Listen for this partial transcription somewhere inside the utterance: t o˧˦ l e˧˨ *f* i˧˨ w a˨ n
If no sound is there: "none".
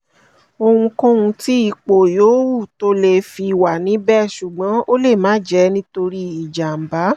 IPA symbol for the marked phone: f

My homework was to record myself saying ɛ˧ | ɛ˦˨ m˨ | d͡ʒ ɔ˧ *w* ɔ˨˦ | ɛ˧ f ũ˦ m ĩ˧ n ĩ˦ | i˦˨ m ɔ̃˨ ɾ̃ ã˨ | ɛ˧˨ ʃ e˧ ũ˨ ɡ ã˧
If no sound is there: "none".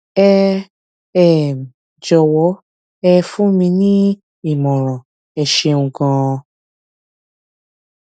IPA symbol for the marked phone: w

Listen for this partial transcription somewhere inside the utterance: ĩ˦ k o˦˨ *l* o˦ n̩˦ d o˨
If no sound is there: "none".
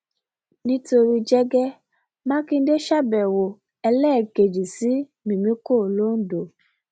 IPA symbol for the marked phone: l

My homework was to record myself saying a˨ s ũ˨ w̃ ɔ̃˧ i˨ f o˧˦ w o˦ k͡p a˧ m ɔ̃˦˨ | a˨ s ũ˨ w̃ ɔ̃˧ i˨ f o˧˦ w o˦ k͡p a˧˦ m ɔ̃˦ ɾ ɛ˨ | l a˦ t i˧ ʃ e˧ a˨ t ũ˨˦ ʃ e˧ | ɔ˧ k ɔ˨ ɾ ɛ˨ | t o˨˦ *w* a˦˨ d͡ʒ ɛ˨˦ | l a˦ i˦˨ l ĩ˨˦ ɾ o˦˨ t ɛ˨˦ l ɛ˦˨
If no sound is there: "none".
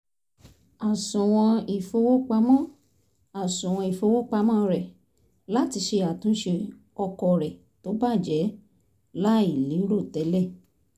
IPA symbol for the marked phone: b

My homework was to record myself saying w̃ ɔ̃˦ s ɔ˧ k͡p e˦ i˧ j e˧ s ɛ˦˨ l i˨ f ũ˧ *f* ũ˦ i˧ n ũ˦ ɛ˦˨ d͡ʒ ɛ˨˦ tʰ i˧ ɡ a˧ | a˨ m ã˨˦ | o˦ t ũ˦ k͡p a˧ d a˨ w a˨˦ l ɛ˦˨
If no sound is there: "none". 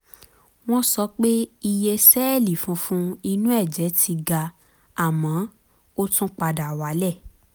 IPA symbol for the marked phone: f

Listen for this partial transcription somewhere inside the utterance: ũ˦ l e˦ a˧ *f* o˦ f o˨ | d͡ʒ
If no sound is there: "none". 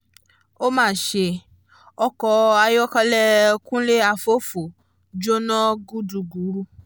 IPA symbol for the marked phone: f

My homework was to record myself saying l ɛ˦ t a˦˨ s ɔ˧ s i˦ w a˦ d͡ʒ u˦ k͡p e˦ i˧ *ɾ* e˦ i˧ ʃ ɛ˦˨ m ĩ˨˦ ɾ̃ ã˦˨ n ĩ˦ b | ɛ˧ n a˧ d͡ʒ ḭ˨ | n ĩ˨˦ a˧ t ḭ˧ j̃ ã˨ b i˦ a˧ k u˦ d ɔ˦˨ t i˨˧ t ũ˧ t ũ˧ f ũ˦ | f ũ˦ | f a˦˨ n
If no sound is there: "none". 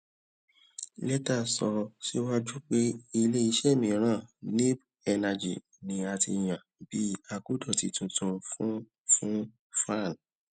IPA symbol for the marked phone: l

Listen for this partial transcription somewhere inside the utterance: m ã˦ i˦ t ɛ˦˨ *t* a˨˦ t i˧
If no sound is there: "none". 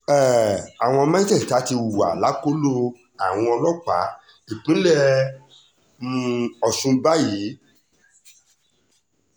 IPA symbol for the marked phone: t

